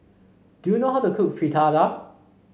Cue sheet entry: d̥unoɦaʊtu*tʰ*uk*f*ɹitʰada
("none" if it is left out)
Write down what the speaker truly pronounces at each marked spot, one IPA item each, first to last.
kʰ, f

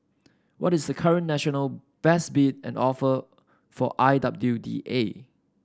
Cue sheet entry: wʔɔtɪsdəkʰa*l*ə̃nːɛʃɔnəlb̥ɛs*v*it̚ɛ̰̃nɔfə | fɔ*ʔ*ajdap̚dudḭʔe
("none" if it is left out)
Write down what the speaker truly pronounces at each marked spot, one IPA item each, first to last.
ɹ, b, ʔ

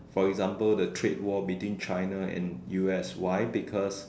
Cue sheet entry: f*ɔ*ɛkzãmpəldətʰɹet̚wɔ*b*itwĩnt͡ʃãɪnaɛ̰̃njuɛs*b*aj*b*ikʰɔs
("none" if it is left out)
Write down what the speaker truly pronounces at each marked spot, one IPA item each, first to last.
ɔ, b, w, b

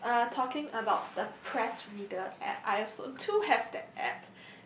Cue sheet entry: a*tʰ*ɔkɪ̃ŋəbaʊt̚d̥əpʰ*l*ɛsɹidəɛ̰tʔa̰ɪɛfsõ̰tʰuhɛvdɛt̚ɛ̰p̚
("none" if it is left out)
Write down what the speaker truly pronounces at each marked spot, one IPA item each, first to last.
tʰ, ɹ

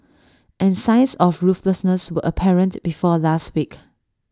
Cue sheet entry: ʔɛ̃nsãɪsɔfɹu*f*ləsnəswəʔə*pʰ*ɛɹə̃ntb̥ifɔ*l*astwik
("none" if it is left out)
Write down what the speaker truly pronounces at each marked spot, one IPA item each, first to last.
f, pʰ, l

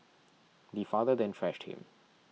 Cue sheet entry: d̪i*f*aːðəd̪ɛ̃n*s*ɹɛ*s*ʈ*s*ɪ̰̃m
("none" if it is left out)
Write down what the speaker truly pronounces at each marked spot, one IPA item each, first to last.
f, f, ʃ, h

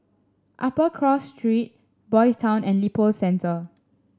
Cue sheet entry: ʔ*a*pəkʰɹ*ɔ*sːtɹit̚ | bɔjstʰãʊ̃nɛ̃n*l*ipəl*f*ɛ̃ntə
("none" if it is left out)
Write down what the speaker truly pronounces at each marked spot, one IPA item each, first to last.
a, ɔ, l, s

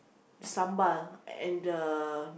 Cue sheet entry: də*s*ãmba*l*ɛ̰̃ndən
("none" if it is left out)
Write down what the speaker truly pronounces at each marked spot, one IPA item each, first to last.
s, l

